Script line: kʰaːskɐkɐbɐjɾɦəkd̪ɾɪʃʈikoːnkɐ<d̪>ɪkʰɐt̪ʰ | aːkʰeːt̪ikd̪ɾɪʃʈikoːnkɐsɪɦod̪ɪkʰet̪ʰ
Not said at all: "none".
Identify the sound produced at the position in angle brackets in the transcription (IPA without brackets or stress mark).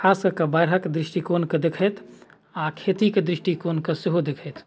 d̪